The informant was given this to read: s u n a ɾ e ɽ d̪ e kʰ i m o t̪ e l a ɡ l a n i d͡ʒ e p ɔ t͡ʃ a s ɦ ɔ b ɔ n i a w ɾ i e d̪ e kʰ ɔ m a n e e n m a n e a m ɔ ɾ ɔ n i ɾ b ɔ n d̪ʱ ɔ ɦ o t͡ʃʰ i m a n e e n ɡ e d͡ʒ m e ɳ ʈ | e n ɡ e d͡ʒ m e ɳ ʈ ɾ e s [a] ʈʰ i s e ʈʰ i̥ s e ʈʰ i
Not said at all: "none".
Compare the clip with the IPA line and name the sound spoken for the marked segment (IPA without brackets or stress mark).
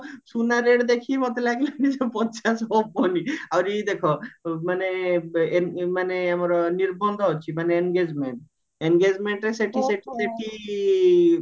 e